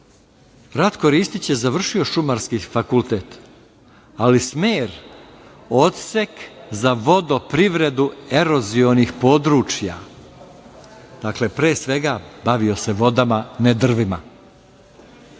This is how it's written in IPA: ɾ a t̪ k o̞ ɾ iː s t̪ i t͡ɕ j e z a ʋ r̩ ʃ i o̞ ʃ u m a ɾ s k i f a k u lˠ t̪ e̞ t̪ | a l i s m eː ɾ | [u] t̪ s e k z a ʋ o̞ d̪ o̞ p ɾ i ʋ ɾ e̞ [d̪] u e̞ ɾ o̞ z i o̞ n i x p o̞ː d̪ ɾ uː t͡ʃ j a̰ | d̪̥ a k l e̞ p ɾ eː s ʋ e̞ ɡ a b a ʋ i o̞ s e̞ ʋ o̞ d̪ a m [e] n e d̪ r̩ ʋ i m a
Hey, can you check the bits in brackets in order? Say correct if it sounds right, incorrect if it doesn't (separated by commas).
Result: incorrect, correct, incorrect